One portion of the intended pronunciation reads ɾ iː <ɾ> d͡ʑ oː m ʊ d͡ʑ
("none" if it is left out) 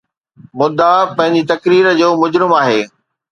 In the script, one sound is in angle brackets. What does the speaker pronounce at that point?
ɾ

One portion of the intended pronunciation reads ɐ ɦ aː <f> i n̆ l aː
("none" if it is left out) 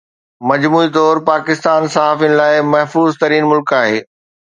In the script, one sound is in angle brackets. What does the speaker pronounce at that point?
f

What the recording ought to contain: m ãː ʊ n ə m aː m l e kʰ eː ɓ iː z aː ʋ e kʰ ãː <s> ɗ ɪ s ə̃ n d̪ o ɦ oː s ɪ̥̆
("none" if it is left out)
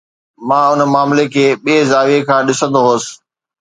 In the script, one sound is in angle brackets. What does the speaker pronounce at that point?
none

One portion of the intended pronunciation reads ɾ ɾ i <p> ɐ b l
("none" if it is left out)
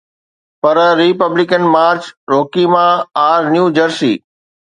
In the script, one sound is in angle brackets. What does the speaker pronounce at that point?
p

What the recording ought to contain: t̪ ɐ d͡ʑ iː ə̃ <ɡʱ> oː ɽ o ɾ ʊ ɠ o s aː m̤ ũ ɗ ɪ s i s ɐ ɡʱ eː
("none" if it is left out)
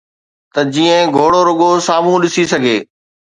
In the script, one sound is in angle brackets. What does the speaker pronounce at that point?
ɡʱ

